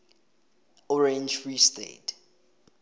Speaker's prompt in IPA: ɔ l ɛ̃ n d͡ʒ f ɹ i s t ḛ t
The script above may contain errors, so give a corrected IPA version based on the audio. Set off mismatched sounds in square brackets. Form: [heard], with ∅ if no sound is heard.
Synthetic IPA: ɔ [ɹ] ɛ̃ n d͡ʒ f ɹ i s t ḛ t